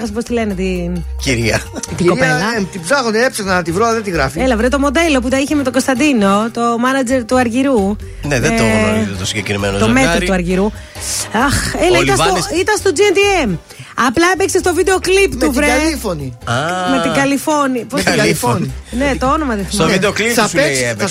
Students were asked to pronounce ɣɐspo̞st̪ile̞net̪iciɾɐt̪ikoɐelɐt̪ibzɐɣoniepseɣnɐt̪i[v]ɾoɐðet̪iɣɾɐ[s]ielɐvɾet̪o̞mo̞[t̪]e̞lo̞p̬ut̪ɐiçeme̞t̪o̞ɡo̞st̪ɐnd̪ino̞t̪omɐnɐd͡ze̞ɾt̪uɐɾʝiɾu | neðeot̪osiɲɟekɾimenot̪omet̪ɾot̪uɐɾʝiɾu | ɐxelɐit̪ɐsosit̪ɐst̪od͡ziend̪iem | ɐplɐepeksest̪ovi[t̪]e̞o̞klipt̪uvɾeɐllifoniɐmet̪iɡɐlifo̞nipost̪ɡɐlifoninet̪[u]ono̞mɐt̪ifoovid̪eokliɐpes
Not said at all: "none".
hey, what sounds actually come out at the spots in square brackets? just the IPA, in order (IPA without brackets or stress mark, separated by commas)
v, f, d̪, d̪, o